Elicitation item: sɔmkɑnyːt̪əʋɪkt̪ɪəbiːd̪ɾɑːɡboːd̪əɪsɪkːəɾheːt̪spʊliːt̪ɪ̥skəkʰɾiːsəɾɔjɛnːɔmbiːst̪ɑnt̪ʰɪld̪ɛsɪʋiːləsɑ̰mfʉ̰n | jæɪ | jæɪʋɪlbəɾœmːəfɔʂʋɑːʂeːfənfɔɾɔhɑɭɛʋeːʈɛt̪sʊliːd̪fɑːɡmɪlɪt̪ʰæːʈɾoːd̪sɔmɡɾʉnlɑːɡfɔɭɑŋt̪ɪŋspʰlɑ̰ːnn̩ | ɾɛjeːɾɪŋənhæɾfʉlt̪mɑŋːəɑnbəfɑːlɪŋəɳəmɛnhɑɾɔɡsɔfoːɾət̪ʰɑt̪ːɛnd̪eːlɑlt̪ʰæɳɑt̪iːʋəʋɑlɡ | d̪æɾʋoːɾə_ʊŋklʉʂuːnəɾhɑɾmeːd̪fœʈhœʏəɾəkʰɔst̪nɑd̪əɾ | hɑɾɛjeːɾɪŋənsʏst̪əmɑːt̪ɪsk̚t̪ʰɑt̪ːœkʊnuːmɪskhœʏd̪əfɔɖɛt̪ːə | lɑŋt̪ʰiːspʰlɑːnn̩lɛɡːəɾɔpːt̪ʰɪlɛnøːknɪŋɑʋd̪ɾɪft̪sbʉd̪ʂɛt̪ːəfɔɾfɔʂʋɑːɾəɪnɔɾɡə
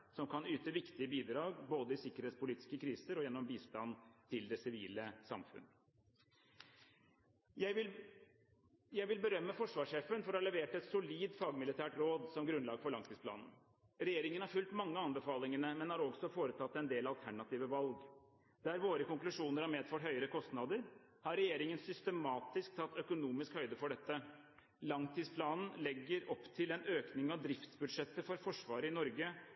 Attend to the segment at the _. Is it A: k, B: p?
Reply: A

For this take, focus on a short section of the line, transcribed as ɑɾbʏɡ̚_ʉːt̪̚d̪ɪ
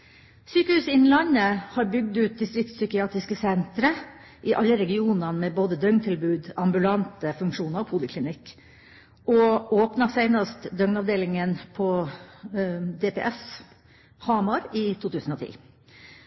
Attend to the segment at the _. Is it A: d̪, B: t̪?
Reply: A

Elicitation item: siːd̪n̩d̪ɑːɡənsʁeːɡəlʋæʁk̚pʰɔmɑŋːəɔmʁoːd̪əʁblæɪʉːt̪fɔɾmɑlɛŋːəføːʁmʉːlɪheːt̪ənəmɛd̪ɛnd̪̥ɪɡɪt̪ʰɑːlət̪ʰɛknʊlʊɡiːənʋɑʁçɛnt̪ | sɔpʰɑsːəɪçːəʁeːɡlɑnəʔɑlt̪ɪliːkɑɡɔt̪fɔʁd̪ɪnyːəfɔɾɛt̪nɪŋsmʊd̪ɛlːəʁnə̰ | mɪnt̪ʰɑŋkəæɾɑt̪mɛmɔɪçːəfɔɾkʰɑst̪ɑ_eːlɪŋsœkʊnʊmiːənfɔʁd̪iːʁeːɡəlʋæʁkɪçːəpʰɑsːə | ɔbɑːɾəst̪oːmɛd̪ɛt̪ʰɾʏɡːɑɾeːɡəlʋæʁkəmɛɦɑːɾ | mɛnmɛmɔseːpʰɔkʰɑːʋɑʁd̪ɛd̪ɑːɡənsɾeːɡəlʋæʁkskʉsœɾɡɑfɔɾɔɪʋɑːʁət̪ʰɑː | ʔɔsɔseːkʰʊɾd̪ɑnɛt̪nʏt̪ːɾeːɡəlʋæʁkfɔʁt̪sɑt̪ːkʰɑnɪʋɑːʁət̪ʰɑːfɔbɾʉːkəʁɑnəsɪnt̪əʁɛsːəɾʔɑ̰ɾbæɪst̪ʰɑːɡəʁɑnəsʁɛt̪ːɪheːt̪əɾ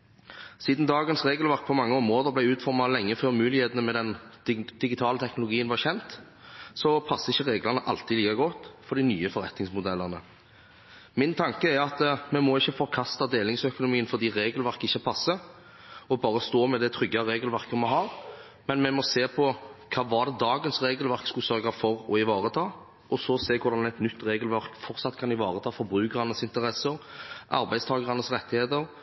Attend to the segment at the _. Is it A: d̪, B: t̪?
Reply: A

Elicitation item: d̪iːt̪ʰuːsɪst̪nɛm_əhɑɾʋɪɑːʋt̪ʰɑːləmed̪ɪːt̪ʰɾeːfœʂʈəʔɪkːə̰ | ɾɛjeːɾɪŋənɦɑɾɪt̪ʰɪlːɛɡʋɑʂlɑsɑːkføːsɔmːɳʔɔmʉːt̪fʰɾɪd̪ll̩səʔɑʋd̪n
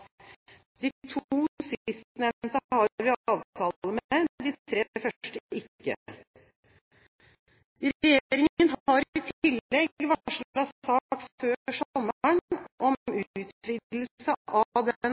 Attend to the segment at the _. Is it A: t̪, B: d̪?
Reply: A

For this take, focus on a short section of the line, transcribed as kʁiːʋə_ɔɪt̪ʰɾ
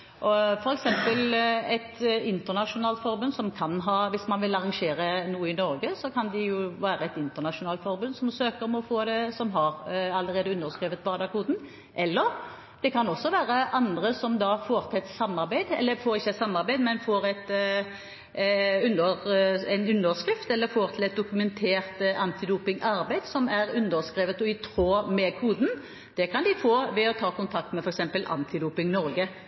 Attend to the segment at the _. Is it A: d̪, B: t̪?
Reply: B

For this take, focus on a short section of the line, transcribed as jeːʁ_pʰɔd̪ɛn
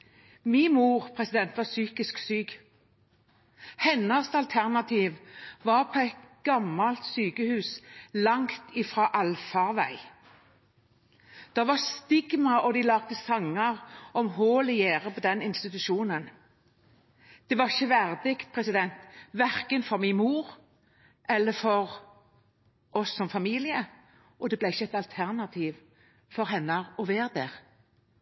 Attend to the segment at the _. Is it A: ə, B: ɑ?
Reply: A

